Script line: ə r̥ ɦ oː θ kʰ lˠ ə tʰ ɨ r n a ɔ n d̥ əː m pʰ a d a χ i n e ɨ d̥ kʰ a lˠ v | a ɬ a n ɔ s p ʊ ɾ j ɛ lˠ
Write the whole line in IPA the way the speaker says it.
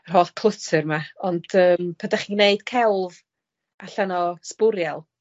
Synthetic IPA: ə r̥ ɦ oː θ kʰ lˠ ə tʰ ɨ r m a ɔ n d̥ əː m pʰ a d a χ i n e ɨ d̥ kʰ ɛ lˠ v | a ɬ a n ɔ s p ʊ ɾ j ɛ lˠ